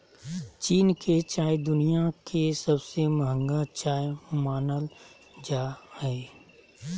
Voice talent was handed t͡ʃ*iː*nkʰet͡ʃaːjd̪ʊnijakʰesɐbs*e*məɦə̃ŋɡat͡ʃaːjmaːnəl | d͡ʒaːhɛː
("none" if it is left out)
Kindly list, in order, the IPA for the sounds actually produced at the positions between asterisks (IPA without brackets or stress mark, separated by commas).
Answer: iː, e